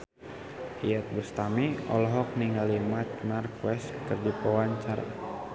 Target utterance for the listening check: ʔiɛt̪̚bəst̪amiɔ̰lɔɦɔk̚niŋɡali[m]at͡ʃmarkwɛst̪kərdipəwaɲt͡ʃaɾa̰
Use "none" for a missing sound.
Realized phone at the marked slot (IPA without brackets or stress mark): m